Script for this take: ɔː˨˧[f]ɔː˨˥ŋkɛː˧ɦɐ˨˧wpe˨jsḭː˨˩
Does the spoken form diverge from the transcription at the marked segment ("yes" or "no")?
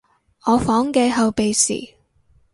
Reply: no